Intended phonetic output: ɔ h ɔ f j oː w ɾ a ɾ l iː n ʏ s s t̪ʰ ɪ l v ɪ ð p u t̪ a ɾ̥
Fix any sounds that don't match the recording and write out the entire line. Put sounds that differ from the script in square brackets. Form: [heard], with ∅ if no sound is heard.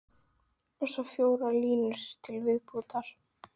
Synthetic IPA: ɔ [s] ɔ f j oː w ɾ a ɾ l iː n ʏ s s t̪ʰ ɪ l v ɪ ð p u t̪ a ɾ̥